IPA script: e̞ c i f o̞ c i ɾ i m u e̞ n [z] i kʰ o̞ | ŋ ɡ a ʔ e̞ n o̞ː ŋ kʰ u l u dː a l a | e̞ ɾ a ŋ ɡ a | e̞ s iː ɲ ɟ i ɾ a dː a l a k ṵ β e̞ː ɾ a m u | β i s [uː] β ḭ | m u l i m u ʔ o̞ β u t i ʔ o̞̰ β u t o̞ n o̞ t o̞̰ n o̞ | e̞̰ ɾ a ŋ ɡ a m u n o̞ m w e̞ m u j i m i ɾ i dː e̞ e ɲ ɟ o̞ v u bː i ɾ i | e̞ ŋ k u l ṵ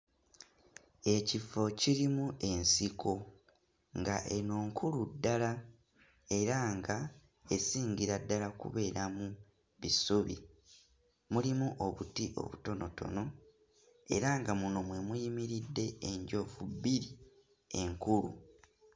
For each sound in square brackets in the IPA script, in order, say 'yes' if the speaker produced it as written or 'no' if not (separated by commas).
no, no